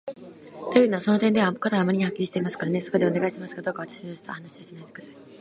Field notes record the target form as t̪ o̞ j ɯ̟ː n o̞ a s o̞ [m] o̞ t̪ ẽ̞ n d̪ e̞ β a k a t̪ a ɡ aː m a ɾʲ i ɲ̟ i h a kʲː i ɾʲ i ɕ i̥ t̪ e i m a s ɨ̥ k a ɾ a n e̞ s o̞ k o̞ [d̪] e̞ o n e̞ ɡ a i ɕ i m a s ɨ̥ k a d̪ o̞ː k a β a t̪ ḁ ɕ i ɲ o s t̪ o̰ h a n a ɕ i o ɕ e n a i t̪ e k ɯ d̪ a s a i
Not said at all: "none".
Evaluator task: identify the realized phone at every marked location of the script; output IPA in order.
n, d̪

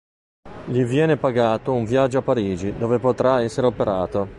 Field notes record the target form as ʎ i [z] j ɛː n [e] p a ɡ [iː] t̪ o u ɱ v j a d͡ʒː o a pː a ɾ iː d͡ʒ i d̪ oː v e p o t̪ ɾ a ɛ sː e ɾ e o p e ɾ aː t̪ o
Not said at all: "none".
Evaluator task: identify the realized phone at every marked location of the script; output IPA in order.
v, e, aː

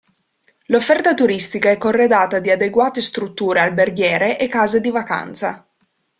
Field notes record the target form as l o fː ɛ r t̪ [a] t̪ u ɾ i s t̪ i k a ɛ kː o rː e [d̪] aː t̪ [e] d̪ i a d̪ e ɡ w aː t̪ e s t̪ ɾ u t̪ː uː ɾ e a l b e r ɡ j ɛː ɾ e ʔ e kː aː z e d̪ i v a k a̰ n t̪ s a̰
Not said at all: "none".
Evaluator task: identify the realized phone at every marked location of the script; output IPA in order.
a, d̪, a

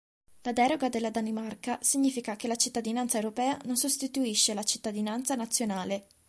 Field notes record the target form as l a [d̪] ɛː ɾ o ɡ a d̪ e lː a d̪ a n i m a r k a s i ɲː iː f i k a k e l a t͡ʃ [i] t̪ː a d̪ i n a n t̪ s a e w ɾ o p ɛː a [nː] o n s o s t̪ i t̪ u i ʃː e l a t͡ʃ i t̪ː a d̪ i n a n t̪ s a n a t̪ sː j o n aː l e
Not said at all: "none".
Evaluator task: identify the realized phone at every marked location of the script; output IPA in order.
d̪, i, n

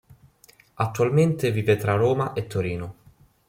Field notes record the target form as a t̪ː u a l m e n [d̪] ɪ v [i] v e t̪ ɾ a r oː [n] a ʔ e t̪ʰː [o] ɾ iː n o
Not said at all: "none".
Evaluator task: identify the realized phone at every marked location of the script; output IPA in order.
t̪, iː, m, o

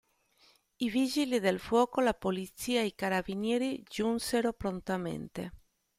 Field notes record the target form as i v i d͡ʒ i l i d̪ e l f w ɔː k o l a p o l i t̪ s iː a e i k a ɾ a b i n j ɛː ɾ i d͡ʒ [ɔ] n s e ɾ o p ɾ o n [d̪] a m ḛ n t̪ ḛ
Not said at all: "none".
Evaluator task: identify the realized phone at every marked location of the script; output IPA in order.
u, t̪

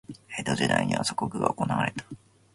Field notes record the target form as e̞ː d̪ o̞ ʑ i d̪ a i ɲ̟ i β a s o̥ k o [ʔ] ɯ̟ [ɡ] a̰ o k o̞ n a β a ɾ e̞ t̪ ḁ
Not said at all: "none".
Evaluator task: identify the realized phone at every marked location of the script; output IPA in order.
k, ɡ

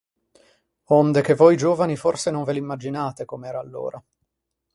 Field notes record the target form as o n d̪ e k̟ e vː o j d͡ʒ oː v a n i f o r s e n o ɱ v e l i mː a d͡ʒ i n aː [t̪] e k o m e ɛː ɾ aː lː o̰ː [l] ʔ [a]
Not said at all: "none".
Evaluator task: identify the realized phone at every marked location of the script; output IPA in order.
t̪, ɾ, a

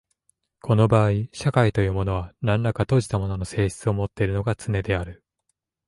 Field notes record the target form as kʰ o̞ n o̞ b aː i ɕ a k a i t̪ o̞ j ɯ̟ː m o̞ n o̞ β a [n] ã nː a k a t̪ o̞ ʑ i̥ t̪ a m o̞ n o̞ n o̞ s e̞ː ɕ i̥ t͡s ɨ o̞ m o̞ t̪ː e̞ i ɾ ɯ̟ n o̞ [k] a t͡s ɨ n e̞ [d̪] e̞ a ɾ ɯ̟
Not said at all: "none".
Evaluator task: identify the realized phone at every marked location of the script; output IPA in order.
n, ɡ, d̪

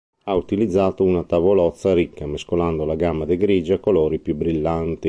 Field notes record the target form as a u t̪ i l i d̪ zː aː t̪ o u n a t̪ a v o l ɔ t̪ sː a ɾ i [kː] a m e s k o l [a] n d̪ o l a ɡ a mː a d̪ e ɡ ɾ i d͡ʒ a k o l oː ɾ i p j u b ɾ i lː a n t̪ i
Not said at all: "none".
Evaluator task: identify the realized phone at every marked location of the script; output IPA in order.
kː, a

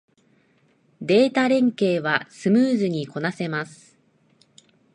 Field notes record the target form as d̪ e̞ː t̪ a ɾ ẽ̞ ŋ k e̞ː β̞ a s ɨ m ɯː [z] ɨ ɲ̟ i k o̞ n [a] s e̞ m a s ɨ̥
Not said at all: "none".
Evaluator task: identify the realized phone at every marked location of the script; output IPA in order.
z, a

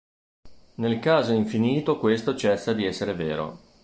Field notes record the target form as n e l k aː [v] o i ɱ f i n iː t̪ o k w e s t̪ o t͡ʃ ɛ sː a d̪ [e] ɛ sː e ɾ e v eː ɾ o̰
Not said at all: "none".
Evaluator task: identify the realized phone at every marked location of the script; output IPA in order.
z, i

